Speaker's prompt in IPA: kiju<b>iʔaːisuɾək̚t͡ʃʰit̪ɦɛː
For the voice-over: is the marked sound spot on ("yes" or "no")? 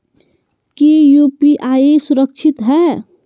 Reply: no